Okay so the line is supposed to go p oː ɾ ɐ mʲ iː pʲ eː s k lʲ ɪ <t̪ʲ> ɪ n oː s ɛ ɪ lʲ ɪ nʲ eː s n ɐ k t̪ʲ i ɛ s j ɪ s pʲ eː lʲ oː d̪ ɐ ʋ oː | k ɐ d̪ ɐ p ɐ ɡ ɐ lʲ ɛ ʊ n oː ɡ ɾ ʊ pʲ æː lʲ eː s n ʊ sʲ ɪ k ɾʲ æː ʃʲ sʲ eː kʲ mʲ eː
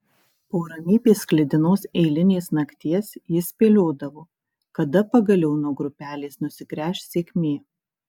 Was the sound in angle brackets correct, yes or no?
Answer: no